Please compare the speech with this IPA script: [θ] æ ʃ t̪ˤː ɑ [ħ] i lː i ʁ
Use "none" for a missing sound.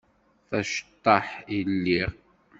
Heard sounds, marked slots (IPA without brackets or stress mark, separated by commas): θ, ħ